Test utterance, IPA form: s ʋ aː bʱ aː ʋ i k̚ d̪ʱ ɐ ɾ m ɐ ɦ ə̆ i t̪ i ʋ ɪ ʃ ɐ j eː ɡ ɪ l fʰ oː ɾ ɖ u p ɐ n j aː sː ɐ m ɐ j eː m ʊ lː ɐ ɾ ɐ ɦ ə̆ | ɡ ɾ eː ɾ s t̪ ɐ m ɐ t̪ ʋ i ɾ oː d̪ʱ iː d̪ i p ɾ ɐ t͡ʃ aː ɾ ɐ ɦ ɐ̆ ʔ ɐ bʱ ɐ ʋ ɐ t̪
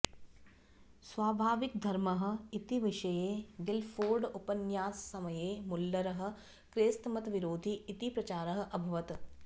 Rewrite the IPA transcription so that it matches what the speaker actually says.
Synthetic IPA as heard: s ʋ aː bʱ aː ʋ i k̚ d̪ʱ ɐ ɾ m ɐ ɦ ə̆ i t̪ i ʋ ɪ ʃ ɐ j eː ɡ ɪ l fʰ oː ɾ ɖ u p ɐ n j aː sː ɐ m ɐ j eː m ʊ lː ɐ ɾ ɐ ɦ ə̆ | k ɾ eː s t̪ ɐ m ɐ t̪ ʋ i ɾ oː d̪ʱ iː t̪ i p ɾ ɐ t͡ʃ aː ɾ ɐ ɦ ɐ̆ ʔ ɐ bʱ ɐ ʋ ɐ t̪